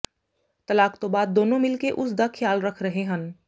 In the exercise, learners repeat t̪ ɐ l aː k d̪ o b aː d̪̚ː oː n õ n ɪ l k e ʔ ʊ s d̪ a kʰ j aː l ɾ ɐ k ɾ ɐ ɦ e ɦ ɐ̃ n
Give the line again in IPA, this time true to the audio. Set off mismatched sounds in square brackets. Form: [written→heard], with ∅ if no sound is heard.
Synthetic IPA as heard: t̪ ɐ l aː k [d̪→t̪] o b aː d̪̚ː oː n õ [n→m] ɪ l k e ʔ ʊ s d̪ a kʰ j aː l ɾ ɐ [k→kʰ] ɾ ɐ ɦ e ɦ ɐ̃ n

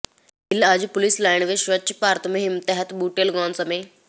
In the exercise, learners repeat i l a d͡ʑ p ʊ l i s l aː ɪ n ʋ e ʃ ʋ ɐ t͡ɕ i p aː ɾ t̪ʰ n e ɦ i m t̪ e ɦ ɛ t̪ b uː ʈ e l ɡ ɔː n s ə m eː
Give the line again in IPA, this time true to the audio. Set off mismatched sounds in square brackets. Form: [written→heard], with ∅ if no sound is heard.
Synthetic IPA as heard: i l a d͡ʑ p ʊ l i s l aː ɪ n ʋ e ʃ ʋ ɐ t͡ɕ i p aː ɾ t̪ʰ [n→m] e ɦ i m t̪ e ɦ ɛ t̪ b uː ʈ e l ɡ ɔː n s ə m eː

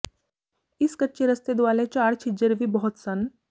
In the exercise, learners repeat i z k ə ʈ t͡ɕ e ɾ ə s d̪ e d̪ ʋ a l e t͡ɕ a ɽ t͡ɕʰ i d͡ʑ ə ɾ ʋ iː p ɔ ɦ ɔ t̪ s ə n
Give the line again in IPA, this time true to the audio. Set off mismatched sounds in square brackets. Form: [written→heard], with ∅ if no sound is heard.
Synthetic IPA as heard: i [z→s] k ə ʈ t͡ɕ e ɾ ə s [d̪→t̪] e d̪ ʋ a l e t͡ɕ a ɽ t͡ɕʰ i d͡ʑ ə ɾ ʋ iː [p→b] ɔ ɦ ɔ t̪ s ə n

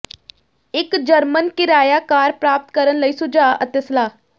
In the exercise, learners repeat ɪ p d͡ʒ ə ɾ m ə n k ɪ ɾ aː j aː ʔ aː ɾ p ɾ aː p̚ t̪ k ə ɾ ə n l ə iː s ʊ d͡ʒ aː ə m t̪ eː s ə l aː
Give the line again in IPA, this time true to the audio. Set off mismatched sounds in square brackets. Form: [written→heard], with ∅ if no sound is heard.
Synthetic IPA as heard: ɪ [p→k] d͡ʒ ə ɾ m ə n k ɪ ɾ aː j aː [ʔ→k] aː ɾ p ɾ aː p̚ t̪ k ə ɾ ə n l ə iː s ʊ d͡ʒ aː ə [m→∅] t̪ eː s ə l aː

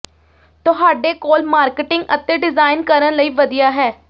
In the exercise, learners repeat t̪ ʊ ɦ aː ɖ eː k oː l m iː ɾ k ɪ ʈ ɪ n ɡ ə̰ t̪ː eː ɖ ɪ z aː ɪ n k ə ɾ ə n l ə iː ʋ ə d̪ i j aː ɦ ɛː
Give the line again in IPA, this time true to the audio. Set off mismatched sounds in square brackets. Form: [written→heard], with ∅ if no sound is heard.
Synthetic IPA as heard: t̪ ʊ ɦ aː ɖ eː k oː l m [iː→aː] ɾ k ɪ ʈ ɪ [n→ŋ] ɡ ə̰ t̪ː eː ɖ ɪ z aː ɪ n k ə ɾ ə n l ə iː ʋ ə d̪ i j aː ɦ ɛː

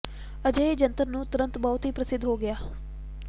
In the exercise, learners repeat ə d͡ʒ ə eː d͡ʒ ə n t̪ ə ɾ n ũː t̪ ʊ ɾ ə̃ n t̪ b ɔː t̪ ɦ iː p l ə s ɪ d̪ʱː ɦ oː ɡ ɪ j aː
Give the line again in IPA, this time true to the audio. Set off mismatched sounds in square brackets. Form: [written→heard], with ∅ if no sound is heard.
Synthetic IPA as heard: ə d͡ʒ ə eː d͡ʒ ə n t̪ ə ɾ n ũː t̪ ʊ ɾ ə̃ n t̪ b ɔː t̪ ɦ iː p [l→ɾ] ə s ɪ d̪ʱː ɦ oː ɡ ɪ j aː

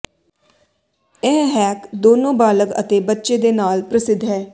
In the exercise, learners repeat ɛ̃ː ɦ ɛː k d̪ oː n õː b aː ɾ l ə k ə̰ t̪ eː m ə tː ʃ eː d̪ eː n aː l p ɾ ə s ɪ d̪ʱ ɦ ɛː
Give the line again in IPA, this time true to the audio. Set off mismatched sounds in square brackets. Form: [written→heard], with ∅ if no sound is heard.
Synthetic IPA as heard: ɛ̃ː ɦ ɛː k d̪ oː n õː b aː [ɾ→∅] l ə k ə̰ t̪ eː [m→b] ə tː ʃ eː d̪ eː n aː l p ɾ ə s ɪ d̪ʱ ɦ ɛː

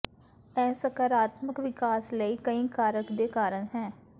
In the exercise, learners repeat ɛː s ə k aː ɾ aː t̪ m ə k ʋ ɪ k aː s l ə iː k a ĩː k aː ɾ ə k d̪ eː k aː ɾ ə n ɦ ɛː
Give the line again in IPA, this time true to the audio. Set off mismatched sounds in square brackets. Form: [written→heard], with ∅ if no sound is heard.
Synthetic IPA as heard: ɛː s ə k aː ɾ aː t̪ m ə k ʋ ɪ k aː s l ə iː k [a→ə] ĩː k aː ɾ ə k d̪ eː k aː ɾ ə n ɦ ɛː

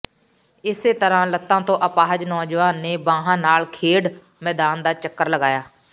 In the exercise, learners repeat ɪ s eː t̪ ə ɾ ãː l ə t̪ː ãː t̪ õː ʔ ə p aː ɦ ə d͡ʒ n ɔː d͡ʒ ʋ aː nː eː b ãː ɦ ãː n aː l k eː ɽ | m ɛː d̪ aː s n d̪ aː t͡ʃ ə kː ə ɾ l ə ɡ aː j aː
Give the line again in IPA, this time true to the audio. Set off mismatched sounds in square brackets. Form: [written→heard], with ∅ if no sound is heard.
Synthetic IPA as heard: ɪ s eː t̪ ə ɾ ãː l ə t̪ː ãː t̪ õː ʔ ə p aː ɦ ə d͡ʒ n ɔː d͡ʒ ʋ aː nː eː b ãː ɦ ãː n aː l [k→kʰ] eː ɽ | m ɛː d̪ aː [s→∅] n d̪ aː t͡ʃ ə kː ə ɾ l ə ɡ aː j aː

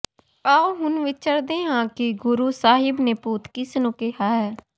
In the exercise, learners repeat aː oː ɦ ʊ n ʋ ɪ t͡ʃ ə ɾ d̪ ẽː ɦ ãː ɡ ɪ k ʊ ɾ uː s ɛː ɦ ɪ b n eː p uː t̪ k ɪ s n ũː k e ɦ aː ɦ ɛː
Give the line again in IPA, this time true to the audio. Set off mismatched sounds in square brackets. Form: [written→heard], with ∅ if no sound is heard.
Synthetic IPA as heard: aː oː ɦ ʊ n ʋ ɪ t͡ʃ ə ɾ d̪ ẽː ɦ ãː [ɡ→k] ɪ [k→ɡ] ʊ ɾ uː s [ɛː→aː] ɦ ɪ b n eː p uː t̪ k ɪ s n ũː k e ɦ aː ɦ ɛː

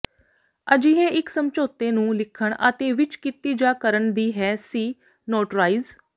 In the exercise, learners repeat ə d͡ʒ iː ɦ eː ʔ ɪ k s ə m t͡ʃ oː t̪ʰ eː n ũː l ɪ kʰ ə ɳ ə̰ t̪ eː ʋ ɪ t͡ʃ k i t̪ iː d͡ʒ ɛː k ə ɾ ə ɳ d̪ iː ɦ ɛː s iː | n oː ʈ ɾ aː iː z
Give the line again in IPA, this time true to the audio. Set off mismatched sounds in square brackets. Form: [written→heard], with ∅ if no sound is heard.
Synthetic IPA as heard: ə d͡ʒ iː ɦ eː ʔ ɪ k s ə m t͡ʃ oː [t̪ʰ→t̪] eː n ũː l ɪ kʰ ə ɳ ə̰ t̪ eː ʋ ɪ t͡ʃ k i t̪ iː d͡ʒ [ɛː→aː] k ə ɾ ə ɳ d̪ iː ɦ ɛː s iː | n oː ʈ ɾ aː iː z

